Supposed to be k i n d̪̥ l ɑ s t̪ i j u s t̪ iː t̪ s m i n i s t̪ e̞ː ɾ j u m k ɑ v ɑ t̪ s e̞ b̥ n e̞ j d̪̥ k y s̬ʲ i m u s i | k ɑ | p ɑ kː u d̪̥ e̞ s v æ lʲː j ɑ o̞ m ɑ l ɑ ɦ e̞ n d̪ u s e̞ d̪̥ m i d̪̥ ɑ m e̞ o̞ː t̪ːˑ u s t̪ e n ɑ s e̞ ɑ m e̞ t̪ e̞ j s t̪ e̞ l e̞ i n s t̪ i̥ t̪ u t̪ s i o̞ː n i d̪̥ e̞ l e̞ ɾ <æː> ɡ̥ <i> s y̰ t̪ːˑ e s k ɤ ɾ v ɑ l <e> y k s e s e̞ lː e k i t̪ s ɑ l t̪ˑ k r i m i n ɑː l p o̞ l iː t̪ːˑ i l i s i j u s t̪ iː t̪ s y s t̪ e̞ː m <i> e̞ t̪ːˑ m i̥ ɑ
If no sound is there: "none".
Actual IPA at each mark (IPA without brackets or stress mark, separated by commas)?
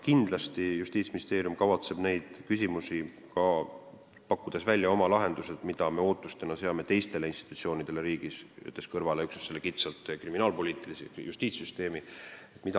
iː, i, e, i